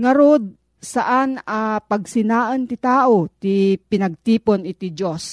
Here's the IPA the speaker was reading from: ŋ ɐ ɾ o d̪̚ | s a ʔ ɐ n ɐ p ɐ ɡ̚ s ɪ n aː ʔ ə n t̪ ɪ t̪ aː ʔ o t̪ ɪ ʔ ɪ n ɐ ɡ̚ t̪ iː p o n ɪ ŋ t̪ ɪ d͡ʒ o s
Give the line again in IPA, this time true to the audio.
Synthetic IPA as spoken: ŋ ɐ ɾ o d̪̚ | s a ʔ a n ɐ p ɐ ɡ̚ s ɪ n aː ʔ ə n t̪ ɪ t̪ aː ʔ o t̪ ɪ p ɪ n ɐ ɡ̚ t̪ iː p o n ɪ t̪ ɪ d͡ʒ o s